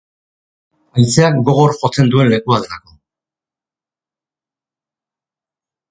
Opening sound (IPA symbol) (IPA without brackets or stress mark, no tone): a